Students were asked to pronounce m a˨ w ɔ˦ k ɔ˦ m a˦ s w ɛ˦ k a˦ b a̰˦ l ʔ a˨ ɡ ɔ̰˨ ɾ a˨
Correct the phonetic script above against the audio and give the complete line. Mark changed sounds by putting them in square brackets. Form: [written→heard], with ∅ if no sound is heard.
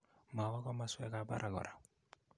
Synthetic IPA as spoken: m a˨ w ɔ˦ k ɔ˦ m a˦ s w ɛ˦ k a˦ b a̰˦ [l→ɾ] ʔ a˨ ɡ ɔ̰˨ ɾ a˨